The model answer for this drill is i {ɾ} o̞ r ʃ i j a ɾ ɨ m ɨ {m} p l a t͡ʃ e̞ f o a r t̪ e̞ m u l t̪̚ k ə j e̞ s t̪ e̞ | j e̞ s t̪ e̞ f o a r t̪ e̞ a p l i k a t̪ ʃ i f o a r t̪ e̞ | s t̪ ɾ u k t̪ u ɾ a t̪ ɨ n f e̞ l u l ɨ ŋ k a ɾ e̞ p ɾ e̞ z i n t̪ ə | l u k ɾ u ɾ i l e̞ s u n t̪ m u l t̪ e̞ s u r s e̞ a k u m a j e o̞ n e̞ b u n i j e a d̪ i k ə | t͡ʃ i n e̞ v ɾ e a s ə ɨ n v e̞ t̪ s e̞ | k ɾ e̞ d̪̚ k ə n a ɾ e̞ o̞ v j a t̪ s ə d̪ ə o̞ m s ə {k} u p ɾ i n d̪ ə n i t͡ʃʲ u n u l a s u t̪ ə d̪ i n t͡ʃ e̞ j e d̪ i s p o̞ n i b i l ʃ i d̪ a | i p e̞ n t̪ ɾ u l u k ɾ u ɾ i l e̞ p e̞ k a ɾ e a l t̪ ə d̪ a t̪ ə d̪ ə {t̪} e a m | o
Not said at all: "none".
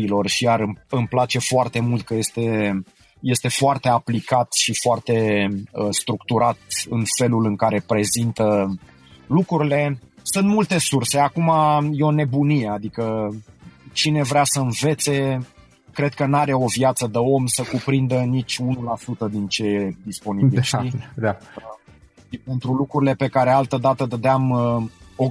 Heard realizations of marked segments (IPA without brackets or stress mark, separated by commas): l, m, k, d̪